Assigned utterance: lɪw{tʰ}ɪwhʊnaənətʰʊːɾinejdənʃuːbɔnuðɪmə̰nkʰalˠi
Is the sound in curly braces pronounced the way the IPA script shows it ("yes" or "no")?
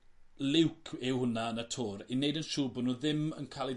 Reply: no